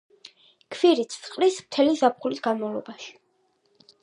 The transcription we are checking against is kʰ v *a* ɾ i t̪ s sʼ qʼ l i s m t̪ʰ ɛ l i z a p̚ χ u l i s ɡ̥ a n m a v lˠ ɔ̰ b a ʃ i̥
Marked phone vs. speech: incorrect: i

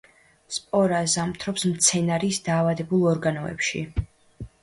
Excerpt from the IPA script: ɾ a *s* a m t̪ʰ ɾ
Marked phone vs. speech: incorrect: z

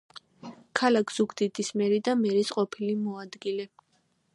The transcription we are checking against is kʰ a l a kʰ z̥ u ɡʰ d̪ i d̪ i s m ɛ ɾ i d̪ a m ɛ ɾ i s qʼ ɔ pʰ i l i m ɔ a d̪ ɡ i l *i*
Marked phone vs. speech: incorrect: ɛ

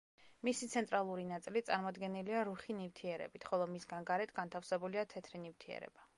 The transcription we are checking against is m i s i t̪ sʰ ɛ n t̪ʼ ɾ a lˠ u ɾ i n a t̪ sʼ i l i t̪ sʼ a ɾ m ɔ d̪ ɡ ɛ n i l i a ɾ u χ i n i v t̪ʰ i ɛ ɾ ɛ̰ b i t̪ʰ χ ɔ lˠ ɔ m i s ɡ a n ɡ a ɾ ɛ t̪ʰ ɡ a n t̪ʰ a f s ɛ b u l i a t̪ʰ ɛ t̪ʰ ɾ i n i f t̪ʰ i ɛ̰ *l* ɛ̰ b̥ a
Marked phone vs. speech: incorrect: ɾ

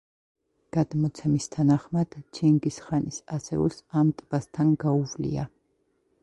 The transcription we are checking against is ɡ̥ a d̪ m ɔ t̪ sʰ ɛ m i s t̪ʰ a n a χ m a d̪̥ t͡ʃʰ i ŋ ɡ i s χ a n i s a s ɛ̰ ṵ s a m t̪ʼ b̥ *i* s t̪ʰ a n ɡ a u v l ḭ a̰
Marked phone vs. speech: incorrect: a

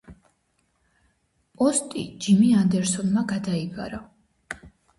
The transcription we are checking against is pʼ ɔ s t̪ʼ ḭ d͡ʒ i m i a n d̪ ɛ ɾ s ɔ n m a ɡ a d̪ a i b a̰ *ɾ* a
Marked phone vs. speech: correct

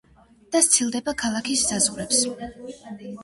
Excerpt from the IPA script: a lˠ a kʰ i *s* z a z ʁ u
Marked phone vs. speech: correct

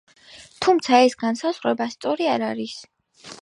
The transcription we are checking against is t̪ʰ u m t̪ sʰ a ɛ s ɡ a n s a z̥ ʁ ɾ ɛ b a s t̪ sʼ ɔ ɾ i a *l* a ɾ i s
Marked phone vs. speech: incorrect: ɾ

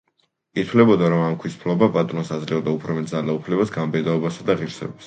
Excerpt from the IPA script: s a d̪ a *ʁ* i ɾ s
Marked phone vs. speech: correct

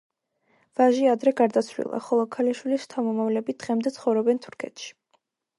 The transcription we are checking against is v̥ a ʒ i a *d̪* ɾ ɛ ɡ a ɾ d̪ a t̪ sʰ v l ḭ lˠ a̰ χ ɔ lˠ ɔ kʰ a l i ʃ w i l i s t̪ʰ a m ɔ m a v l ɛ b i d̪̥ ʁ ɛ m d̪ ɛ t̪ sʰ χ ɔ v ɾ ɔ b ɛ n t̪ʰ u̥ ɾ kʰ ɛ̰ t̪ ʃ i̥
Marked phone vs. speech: correct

